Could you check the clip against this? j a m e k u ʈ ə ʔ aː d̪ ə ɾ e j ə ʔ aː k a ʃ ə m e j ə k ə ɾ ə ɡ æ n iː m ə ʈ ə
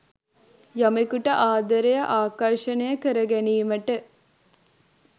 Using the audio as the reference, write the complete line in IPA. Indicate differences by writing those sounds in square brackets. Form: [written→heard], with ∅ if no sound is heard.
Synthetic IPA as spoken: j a m e k u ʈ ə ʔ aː d̪ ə ɾ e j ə ʔ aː k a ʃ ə [m→n] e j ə k ə ɾ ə ɡ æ n iː m ə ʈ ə